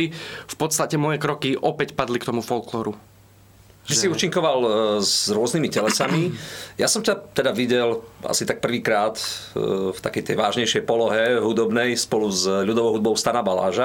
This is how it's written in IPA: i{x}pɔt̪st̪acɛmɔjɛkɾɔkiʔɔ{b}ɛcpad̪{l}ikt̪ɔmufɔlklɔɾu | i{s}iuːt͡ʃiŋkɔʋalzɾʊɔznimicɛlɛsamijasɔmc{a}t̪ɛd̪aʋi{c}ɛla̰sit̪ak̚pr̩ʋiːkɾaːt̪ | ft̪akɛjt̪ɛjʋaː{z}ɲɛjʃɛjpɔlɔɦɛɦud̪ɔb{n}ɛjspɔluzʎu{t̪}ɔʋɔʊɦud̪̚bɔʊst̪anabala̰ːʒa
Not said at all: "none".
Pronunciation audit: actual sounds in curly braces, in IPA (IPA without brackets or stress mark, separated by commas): f, p, l, s, a, ɟ, ʒ, n, d̪